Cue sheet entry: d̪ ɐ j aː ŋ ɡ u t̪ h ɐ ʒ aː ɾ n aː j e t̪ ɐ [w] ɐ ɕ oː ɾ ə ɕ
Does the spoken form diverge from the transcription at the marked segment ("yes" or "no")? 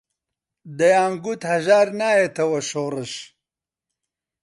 no